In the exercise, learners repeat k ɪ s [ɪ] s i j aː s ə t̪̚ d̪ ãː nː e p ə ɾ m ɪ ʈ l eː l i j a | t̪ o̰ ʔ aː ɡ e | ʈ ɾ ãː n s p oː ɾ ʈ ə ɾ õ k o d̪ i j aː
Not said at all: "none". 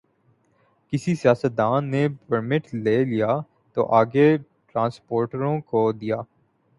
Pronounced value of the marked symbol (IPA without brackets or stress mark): i